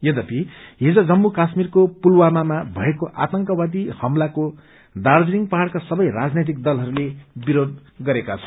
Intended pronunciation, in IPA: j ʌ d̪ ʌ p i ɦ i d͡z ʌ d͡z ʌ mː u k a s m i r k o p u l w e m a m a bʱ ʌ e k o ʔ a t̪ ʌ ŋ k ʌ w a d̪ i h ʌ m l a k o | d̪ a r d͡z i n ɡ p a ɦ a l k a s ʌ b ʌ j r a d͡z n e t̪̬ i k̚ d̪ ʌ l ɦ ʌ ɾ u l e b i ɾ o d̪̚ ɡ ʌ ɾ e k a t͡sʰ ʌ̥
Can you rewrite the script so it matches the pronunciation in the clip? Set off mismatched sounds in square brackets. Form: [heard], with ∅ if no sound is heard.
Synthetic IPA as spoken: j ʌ d̪ ʌ p i ɦ i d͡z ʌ d͡z ʌ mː u k a s m i r k o p u l w [a] m a m a bʱ ʌ e k o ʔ a t̪ ʌ ŋ k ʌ w a d̪ i h ʌ m l a k o | d̪ a r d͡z i [ŋ] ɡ p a ɦ a [ɽ] k a s ʌ b ʌ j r a d͡z n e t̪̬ i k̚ d̪ ʌ l ɦ ʌ ɾ u l e b i ɾ o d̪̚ ɡ ʌ ɾ e k a t͡sʰ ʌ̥